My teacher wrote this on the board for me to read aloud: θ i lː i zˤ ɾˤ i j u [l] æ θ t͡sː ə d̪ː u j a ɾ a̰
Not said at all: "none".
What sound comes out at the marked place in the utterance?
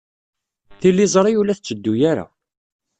l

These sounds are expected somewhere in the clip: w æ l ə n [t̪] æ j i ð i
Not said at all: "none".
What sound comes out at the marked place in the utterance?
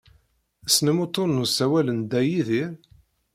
d̪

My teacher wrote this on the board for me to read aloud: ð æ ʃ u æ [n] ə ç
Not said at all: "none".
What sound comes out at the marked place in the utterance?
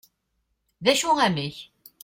m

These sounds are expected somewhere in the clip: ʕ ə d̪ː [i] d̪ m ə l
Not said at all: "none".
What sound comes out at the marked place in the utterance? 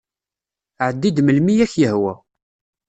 i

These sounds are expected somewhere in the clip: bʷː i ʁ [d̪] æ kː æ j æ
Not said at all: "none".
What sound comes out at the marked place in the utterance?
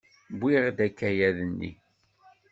d̪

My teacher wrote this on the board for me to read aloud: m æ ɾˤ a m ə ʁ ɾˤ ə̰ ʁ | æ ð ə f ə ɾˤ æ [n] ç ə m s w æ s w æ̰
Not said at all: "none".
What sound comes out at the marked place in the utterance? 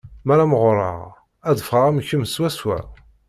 m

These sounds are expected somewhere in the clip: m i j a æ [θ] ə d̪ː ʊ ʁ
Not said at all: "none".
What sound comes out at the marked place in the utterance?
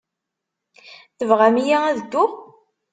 ð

